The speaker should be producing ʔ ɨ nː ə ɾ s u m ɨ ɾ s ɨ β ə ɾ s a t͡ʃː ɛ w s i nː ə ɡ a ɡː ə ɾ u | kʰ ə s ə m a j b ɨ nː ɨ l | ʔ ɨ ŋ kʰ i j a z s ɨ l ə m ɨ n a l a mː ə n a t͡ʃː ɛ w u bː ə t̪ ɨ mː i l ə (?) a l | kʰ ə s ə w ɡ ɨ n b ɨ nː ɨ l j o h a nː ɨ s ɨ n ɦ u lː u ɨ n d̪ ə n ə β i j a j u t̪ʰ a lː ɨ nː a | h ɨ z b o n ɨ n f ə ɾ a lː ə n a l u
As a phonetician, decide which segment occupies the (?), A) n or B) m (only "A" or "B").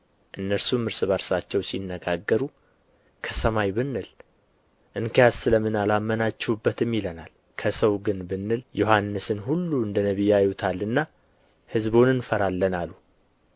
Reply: A